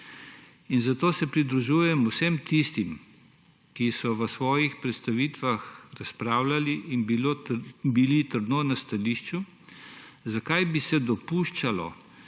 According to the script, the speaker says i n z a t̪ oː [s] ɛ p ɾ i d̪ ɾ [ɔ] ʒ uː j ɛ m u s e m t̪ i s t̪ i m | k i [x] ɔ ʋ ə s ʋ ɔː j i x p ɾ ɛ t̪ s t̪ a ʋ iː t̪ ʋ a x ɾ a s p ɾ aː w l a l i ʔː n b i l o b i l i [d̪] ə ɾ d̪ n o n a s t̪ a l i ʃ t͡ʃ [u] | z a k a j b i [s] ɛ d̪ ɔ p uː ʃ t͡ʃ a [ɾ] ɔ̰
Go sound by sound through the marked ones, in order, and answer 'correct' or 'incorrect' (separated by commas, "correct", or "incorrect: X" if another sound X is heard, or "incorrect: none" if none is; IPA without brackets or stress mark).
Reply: correct, incorrect: u, incorrect: s, incorrect: t̪, correct, correct, incorrect: l